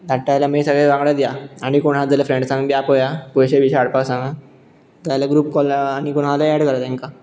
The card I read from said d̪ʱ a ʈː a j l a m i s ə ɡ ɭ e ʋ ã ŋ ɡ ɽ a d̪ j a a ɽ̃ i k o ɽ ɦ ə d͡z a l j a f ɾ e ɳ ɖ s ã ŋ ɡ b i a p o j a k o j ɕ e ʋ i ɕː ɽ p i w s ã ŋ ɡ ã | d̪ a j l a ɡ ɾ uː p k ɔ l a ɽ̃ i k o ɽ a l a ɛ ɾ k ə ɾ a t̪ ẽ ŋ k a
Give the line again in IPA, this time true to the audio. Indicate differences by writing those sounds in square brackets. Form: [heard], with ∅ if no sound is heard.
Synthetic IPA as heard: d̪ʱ a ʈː a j l a m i s ə ɡ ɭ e ʋ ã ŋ ɡ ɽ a d̪ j a a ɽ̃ i k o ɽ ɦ [a] d͡z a l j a f ɾ e ɳ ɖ s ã ŋ ɡ b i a p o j a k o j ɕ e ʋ i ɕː ɽ p [a] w s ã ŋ ɡ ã | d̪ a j l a ɡ ɾ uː p k ɔ l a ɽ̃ i k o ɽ a l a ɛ [ɽ] k ə ɾ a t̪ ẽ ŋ k a